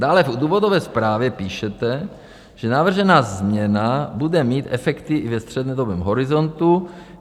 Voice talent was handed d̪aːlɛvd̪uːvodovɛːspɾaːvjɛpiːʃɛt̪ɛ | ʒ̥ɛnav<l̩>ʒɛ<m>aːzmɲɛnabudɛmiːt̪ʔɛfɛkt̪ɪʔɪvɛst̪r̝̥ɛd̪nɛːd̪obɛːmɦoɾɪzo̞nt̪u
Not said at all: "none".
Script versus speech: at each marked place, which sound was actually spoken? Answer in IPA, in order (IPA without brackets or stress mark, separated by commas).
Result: r̩, n